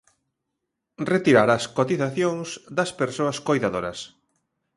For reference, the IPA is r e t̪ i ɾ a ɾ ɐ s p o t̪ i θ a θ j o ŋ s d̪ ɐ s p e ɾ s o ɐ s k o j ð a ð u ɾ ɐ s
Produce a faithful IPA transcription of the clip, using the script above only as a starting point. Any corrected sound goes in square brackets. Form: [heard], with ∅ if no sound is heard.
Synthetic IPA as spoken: r e t̪ i ɾ a ɾ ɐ s [k] o t̪ i θ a θ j o ŋ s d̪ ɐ s p e ɾ s o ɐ s k o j ð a ð [o] ɾ ɐ s